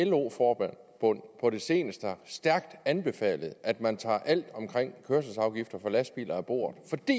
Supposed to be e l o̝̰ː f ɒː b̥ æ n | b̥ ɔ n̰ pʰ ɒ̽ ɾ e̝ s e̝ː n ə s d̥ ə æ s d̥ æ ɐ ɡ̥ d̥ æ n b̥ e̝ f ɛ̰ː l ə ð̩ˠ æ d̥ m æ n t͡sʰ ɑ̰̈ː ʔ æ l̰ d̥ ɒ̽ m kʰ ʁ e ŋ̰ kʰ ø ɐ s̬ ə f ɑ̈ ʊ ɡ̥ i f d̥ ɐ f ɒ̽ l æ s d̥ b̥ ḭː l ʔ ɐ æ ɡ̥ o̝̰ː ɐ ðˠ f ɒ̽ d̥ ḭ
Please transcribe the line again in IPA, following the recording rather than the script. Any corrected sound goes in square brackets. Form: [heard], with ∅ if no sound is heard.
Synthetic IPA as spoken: e l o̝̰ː f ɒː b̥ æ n | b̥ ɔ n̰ pʰ ɒ̽ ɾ e̝ s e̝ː n ə s d̥ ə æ s d̥ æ ɐ ɡ̥ d̥ æ n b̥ e̝ f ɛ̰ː l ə ð̩ˠ æ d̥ m æ n t͡sʰ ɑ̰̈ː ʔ æ l̰ d̥ ɒ̽ m kʰ ʁ e ŋ̰ kʰ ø ɐ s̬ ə [s] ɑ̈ ʊ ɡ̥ i f d̥ ɐ f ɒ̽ l æ s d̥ b̥ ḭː l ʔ ɐ æ [b̥] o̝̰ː ɐ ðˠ f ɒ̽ d̥ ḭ